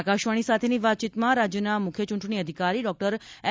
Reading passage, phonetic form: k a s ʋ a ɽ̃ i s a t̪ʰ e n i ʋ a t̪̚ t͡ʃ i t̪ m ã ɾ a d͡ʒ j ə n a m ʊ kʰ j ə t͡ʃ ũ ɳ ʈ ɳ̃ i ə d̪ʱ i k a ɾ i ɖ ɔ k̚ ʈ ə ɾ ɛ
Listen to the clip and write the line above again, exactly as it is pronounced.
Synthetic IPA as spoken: k a ʃ ʋ a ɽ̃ i s a t̪ʰ e n i ʋ a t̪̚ t͡ʃ i t̪ m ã ɾ a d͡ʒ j ə n a m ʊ kʰ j ə t͡ʃ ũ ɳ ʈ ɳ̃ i ə d̪ʱ i k a ɾ i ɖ ɔ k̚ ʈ ə ɾ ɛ